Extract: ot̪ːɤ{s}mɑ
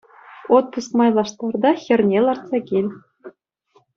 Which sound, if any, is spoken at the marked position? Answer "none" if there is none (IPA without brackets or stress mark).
s